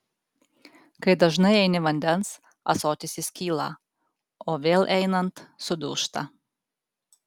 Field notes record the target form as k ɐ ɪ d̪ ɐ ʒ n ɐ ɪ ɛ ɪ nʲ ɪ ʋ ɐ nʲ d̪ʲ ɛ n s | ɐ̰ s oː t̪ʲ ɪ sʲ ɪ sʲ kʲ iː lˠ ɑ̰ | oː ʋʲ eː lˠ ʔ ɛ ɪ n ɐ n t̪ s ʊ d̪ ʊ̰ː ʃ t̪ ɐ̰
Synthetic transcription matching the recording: k ɐ ɪ d̪ ɐ ʒ n ɐ ɪ ɛ ɪ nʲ ɪ ʋ ɐ nʲ d̪ʲ ɛ n s | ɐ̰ s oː t̪ʲ ɪ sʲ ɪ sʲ kʲ iː lˠ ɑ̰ | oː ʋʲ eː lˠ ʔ ɛ ɪ n ɐ n t̪ s ʊ d̪ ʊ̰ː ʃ t̪ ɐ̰